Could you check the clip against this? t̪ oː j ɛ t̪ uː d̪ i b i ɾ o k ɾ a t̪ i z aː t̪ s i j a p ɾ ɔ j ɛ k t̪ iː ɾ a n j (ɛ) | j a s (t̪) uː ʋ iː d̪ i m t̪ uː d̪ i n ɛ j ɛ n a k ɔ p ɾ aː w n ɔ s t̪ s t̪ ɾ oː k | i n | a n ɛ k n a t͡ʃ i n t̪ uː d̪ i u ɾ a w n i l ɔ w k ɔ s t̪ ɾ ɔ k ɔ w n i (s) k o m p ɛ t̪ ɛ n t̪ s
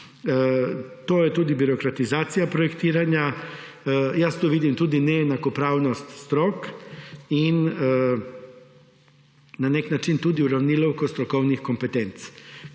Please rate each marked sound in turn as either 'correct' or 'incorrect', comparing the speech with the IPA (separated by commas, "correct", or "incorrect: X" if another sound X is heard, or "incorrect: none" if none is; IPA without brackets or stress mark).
incorrect: a, correct, incorrect: x